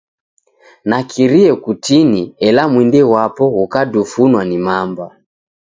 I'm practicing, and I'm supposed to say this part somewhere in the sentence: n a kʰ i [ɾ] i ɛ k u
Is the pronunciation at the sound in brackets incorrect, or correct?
correct